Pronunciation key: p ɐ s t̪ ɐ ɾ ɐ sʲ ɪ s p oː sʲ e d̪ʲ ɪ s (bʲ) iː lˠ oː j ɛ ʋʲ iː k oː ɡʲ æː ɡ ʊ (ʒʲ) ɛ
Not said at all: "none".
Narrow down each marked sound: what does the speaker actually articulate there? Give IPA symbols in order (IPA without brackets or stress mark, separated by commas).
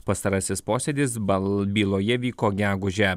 bʲ, ʒʲ